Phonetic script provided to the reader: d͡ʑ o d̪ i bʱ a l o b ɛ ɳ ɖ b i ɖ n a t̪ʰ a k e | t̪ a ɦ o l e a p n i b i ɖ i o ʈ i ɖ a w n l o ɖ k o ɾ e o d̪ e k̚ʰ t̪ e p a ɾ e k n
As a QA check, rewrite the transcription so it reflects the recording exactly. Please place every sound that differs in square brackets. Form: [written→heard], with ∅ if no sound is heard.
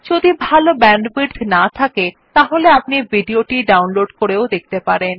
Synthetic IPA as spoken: d͡ʑ o d̪ i bʱ a l o b ɛ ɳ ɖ b i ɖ n a t̪ʰ a k e | t̪ a ɦ o l e a p n i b i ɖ i o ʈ i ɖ a w n l o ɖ k o ɾ e o d̪ e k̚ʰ t̪ e p a ɾ e [k→∅] n